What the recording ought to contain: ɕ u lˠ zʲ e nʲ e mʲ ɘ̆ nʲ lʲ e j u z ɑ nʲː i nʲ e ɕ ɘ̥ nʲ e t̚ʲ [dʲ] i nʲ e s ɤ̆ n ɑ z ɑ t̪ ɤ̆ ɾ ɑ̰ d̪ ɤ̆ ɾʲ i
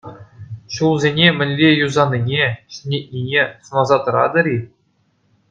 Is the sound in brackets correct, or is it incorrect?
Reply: incorrect